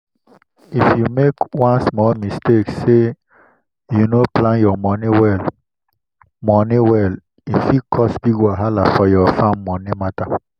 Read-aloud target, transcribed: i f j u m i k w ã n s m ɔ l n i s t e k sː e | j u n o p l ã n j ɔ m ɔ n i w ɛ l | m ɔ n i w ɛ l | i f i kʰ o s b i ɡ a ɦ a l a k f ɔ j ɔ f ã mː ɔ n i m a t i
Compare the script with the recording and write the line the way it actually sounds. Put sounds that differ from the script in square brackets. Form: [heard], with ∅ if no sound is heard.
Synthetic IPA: i f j u m [e] k w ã n s m ɔ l [m] i s t e k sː e | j u n o p l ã n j ɔ m ɔ n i w ɛ l | m ɔ n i w ɛ l | i f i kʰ [ɔ] s b i ɡ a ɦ a l a [∅] f ɔ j ɔ f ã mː ɔ n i m a t [a]